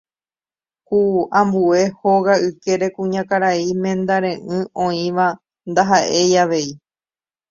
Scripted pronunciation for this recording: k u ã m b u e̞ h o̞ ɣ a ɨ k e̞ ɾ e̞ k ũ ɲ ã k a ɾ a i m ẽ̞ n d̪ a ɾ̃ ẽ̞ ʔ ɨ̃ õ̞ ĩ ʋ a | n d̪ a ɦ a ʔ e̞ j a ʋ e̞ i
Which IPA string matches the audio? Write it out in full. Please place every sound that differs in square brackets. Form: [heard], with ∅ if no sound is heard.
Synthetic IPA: k u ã m b u e̞ h o̞ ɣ a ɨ k e̞ ɾ e̞ k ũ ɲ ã k a ɾ a i m ẽ̞ n d̪ a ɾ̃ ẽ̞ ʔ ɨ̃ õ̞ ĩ ʋ a | n d̪ a ɦ a ʔ e̞ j a ʋ e̞ i